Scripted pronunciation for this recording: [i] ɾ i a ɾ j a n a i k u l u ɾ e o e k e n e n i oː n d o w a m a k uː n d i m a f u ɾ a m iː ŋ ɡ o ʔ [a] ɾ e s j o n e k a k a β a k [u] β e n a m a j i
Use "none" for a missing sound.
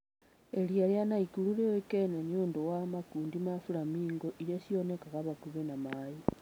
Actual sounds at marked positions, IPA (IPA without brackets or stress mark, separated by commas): e, i, u